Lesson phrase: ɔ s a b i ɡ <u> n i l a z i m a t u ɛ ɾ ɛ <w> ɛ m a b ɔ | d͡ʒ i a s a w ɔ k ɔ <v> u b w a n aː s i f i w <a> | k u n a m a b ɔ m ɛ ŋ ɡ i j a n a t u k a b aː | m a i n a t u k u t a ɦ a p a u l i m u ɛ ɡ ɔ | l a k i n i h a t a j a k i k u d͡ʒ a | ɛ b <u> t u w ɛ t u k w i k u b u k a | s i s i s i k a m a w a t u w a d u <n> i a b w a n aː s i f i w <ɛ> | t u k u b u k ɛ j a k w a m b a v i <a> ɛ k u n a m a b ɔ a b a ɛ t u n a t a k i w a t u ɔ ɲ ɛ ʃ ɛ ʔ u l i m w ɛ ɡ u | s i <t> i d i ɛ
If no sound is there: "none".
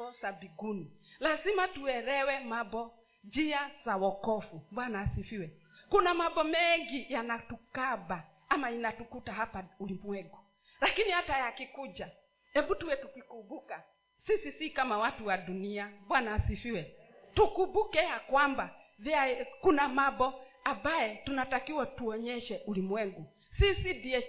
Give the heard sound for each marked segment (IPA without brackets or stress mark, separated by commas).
u, w, f, ɛ, u, n, ɛ, a, s